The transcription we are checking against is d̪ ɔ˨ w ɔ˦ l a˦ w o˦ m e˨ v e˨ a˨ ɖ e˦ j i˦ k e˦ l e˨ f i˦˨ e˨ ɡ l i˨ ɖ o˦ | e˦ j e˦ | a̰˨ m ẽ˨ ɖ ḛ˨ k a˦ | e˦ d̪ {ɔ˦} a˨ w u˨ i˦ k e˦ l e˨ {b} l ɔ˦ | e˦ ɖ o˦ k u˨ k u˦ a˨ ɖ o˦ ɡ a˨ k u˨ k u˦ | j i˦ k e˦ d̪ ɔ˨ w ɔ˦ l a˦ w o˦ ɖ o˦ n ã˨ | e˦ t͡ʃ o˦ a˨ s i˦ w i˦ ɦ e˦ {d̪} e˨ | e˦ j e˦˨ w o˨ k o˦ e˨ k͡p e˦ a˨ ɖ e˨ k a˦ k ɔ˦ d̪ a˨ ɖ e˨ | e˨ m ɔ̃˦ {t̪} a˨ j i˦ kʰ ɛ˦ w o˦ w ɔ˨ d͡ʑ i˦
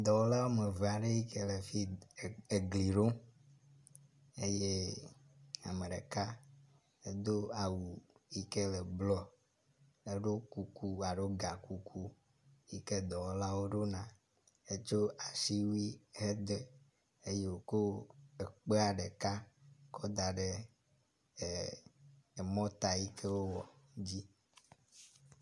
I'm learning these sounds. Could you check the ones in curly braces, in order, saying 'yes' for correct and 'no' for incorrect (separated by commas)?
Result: no, yes, yes, yes